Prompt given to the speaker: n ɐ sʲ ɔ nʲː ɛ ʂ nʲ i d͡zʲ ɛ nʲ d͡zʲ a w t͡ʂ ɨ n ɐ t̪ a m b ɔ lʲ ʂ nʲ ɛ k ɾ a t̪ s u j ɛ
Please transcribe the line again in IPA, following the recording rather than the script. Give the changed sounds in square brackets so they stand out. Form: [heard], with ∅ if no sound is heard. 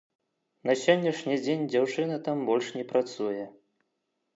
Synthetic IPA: n ɐ sʲ ɔ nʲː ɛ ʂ nʲ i d͡zʲ [e] nʲ d͡zʲ a w t͡ʂ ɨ n ɐ t̪ a m b ɔ lʲ ʂ nʲ ɛ [p] ɾ a t̪ s u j ɛ